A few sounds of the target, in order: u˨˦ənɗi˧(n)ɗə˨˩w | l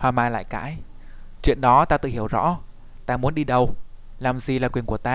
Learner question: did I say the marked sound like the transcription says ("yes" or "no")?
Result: no